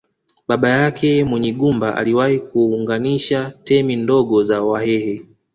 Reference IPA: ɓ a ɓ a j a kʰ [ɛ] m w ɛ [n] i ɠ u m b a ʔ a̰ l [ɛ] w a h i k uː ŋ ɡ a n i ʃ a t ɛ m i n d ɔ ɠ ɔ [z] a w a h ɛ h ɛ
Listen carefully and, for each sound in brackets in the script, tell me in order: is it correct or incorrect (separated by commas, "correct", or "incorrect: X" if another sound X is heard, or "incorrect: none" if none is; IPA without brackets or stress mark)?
correct, incorrect: ɲ, incorrect: i, correct